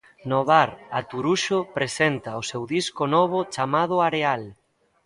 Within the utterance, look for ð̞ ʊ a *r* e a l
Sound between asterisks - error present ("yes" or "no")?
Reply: yes